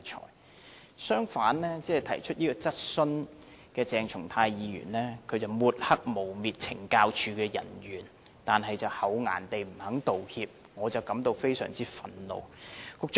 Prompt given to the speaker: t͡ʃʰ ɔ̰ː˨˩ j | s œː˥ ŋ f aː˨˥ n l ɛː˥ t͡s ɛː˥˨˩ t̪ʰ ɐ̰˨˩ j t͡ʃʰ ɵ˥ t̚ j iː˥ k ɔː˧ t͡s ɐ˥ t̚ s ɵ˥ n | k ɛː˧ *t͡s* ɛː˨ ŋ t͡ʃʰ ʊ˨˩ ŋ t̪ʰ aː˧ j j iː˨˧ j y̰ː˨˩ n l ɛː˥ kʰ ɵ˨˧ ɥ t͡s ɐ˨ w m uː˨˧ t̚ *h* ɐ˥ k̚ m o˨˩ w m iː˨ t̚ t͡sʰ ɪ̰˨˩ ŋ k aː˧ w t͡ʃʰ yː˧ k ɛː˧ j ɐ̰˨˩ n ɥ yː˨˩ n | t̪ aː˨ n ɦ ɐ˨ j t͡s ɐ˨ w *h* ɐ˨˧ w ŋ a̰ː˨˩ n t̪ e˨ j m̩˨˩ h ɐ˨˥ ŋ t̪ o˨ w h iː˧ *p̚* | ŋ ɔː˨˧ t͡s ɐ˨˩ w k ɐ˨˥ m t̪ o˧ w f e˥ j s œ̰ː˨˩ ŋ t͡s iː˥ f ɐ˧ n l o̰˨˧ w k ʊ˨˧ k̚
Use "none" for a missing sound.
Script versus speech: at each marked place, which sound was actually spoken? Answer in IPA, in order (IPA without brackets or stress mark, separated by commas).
t͡s, h, h, p̚